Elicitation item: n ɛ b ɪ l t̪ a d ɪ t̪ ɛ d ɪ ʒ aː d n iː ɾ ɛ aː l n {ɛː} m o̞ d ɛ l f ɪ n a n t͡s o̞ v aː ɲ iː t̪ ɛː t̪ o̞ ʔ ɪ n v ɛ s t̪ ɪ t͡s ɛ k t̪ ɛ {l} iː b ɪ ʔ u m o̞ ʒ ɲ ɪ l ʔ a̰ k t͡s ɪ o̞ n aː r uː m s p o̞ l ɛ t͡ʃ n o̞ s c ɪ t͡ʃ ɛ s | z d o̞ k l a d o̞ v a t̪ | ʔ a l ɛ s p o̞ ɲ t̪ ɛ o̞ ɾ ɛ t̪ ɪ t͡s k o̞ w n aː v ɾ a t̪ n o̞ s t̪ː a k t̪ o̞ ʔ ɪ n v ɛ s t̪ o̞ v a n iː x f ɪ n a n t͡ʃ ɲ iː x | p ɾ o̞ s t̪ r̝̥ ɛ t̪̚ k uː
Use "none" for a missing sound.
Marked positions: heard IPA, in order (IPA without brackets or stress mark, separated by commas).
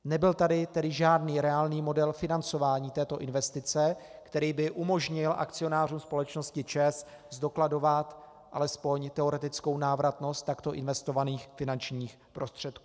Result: iː, ɾ